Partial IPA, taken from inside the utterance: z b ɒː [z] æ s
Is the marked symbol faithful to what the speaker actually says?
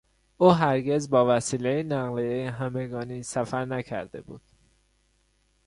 no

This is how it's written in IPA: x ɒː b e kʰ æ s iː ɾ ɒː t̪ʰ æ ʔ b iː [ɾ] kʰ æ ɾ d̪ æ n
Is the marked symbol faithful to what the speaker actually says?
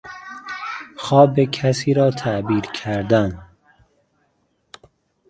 yes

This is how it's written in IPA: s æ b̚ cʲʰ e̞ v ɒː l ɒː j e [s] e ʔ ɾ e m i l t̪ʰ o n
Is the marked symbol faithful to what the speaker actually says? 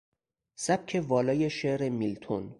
no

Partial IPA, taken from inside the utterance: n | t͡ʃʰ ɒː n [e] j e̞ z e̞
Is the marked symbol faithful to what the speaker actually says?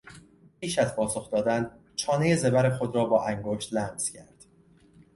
yes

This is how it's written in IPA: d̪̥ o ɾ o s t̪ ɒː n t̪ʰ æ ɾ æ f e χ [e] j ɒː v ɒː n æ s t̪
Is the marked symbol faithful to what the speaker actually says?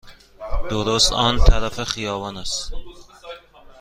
no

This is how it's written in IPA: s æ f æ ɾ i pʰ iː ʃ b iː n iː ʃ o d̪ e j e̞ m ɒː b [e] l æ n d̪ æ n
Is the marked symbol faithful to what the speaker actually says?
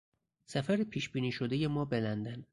yes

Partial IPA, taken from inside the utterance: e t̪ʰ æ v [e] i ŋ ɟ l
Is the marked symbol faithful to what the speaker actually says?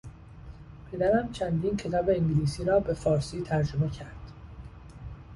yes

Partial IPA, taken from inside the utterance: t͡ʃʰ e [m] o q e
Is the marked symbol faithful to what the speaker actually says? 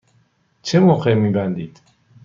yes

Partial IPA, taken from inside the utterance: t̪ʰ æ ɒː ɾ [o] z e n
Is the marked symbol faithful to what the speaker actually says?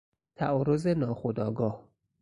yes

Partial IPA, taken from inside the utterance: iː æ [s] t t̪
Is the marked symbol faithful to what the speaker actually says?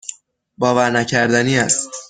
yes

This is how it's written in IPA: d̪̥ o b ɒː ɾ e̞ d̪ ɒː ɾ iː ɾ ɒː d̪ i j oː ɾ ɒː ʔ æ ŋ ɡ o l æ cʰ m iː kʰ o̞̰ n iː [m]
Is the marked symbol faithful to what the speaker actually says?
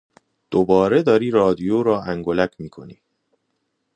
no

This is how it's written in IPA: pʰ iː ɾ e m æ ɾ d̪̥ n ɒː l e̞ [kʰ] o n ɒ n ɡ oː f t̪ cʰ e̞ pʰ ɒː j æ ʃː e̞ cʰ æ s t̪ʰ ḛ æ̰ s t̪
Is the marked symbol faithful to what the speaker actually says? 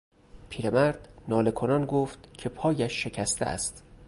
yes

